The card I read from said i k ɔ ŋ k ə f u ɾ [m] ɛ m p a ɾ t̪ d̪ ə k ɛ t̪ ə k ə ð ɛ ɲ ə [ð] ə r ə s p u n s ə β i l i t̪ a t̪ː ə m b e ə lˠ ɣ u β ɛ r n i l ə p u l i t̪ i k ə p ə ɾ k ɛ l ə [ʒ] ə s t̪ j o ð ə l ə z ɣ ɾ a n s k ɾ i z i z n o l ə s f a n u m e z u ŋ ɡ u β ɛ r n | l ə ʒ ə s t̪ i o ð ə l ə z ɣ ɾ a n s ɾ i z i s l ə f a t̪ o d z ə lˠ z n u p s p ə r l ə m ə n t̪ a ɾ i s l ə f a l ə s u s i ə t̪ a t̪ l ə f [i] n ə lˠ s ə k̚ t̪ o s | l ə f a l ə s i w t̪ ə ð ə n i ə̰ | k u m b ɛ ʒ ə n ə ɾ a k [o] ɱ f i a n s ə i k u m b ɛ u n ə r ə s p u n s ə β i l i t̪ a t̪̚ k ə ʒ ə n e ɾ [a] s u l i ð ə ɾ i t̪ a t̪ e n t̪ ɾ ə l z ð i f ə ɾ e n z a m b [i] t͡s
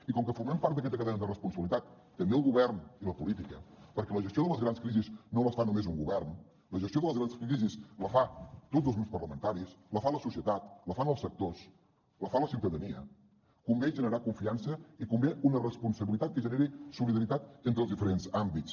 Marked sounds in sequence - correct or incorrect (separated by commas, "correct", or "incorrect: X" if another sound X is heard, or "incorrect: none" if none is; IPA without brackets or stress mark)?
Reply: correct, correct, correct, incorrect: a, incorrect: u, incorrect: i, correct